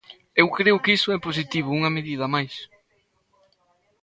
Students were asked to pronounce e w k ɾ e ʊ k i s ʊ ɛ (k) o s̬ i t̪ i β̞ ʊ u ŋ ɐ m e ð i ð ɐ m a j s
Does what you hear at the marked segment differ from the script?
yes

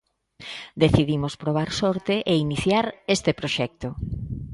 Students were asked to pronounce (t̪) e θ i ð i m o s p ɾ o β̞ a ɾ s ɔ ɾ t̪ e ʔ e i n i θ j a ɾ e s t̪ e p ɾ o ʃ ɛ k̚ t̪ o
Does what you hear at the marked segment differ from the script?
yes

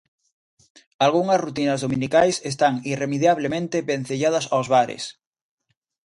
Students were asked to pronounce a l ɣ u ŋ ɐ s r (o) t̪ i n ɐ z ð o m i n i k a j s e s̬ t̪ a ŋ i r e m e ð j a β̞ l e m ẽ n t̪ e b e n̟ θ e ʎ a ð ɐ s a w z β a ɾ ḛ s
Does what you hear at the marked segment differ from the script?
yes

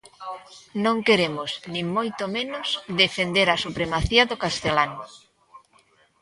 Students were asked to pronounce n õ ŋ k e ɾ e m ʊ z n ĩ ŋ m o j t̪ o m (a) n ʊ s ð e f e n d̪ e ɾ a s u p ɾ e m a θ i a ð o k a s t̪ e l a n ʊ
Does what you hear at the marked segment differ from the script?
yes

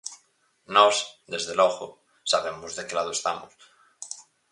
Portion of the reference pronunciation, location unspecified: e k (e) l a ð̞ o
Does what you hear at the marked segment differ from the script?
no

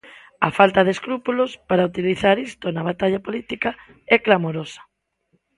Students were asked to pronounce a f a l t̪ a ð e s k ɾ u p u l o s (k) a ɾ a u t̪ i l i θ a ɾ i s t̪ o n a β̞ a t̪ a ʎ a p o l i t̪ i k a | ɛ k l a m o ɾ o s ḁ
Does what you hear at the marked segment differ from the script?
yes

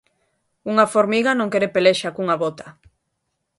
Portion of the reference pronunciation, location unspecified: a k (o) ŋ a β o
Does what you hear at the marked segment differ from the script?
yes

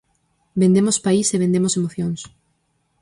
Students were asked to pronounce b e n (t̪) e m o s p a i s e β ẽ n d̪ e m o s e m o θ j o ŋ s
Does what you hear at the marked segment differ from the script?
yes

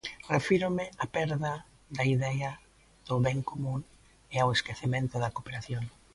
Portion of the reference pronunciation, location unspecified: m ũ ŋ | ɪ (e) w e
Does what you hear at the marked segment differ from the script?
yes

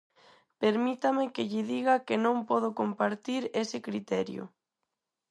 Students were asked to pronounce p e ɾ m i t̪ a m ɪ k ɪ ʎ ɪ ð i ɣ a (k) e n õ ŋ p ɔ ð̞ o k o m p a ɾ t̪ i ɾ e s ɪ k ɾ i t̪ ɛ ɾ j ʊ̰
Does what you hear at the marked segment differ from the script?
no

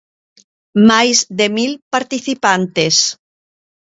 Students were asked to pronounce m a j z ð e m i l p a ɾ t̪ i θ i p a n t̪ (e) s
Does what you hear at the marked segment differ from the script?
no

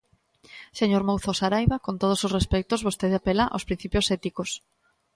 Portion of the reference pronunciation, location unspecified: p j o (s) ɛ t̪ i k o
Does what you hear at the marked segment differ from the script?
no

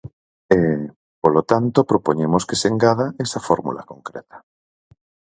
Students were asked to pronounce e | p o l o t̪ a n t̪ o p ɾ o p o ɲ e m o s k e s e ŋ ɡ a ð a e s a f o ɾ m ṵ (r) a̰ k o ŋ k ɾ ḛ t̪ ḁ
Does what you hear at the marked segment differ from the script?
yes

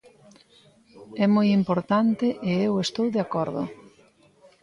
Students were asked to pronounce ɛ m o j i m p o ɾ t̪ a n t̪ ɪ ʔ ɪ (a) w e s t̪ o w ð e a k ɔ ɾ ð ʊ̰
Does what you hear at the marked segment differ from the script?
yes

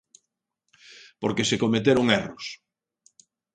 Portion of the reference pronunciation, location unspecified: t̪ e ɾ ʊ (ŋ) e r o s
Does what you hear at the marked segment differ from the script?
no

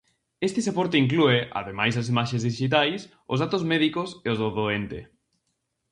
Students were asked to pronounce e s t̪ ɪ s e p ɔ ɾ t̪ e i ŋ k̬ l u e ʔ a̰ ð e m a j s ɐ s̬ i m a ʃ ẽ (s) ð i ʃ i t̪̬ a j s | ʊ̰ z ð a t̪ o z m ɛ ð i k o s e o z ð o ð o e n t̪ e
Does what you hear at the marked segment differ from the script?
yes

